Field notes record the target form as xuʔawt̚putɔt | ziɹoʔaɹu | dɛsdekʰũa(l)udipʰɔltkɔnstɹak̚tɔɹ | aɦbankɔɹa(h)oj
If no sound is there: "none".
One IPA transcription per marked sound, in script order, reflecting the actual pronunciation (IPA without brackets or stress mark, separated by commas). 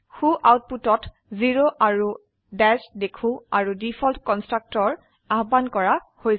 ɹ, h